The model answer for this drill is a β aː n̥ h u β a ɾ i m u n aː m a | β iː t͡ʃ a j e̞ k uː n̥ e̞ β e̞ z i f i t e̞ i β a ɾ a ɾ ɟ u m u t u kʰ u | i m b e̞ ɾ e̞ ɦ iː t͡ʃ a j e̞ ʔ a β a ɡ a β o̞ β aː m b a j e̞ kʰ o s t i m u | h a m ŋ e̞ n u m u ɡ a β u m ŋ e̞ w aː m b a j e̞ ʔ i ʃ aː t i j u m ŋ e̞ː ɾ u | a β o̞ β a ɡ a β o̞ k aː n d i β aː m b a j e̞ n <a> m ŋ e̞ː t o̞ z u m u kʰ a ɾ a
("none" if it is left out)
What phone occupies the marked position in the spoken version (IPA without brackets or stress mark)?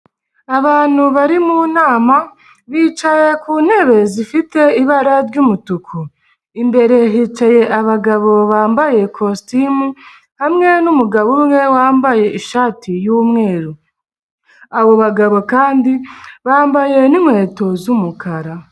i